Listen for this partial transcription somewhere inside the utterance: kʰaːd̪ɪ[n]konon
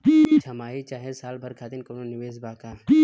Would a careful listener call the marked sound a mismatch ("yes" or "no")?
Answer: no